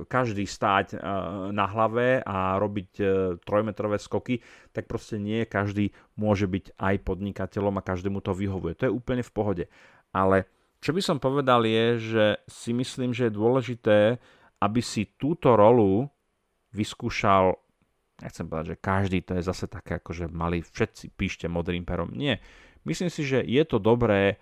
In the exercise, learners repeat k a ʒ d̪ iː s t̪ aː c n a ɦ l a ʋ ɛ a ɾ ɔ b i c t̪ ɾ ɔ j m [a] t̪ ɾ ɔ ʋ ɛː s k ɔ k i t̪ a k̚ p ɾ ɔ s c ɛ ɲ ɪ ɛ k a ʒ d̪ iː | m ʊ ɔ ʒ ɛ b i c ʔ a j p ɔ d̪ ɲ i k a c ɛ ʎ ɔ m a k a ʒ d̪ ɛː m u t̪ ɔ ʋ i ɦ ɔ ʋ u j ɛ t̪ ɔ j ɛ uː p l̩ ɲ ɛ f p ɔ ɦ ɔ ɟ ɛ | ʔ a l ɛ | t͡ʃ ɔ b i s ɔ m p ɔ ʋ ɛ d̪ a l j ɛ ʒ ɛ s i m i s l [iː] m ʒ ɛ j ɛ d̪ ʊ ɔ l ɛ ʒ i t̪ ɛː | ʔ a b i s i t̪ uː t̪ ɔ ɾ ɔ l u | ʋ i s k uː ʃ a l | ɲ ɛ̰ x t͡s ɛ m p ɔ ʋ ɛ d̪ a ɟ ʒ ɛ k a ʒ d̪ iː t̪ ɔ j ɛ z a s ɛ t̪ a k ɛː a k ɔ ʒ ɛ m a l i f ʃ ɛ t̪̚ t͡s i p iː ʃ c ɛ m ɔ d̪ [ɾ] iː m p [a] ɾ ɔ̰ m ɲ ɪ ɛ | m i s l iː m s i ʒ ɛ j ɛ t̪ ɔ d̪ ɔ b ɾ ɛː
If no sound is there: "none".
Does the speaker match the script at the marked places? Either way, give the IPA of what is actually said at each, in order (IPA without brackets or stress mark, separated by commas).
ɛ, iː, ɾ, ɛ